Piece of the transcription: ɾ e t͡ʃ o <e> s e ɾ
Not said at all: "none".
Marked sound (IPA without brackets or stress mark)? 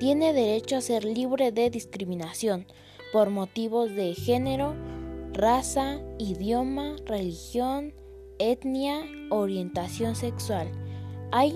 a